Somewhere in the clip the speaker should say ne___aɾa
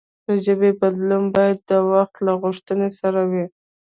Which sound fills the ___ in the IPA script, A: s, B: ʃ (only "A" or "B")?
A